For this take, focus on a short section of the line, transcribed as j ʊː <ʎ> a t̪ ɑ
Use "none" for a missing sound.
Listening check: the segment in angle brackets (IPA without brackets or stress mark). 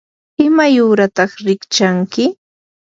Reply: ɾ